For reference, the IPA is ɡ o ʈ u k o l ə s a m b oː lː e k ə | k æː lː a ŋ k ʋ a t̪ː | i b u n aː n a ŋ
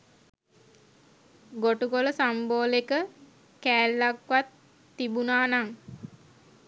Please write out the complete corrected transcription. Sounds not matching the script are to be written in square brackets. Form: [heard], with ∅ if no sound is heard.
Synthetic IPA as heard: ɡ o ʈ u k o l ə s a m b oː [l] e k ə | k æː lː a [∅] k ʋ a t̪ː | i b u n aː n a ŋ